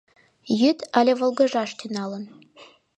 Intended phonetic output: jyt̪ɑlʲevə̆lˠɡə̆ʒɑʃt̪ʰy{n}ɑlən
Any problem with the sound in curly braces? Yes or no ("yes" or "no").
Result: no